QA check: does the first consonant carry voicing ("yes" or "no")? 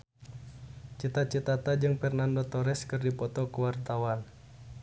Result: no